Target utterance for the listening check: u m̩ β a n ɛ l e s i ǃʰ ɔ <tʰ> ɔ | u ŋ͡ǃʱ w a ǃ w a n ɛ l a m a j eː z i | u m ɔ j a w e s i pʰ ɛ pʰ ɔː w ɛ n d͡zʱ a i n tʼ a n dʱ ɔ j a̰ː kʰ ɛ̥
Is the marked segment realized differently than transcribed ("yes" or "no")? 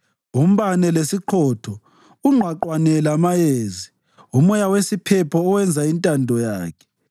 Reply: no